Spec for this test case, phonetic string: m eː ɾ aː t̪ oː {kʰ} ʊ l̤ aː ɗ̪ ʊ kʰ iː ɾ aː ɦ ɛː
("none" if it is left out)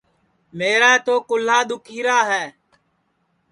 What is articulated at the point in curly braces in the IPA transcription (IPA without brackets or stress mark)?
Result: k